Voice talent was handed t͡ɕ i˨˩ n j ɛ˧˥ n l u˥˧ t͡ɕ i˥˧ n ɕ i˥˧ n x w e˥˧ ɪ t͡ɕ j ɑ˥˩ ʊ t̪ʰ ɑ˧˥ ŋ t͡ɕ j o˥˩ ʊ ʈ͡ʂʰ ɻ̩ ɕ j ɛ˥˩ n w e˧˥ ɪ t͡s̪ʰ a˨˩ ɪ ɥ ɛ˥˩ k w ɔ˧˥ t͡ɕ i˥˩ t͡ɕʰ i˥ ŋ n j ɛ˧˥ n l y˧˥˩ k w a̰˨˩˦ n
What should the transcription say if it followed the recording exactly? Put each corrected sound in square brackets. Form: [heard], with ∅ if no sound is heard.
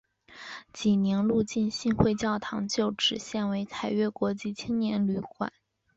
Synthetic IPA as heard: t͡ɕ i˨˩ n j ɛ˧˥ n l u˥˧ t͡ɕ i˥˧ n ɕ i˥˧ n x w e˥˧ ɪ t͡ɕ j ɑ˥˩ ʊ t̪ʰ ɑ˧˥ ŋ t͡ɕ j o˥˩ ʊ [ʈ͡ʂ] ɻ̩ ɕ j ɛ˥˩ n w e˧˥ ɪ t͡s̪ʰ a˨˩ ɪ ɥ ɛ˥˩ k w ɔ˧˥ t͡ɕ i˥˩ t͡ɕʰ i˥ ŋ n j ɛ˧˥ n l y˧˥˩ k w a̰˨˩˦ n